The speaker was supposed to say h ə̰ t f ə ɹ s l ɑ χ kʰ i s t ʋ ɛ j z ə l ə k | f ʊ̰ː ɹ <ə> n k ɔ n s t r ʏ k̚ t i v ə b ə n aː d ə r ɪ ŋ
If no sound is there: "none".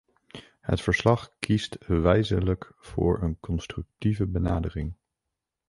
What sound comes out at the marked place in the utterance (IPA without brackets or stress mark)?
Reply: ə